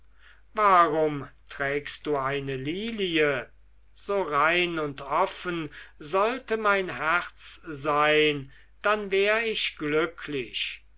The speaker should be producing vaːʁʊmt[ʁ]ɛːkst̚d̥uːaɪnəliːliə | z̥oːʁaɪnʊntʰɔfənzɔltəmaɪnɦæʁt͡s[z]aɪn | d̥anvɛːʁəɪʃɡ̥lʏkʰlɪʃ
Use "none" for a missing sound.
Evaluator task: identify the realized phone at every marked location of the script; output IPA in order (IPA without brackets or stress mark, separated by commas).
ʁ, z